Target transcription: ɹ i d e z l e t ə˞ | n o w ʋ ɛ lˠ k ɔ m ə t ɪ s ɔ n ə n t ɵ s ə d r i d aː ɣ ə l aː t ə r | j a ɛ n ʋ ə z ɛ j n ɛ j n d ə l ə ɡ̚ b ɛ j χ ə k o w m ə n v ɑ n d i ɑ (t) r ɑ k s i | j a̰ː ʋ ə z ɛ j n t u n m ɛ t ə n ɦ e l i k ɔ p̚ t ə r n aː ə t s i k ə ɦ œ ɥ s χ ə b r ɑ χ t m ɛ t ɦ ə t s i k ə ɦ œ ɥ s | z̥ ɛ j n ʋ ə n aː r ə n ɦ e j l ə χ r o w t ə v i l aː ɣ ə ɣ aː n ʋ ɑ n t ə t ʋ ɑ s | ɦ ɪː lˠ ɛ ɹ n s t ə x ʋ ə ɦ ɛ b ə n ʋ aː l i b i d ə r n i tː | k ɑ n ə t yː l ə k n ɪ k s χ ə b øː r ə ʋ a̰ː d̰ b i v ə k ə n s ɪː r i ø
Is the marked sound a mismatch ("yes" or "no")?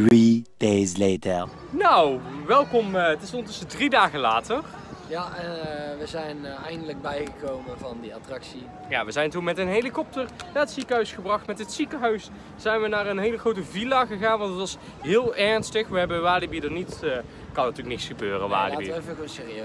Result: no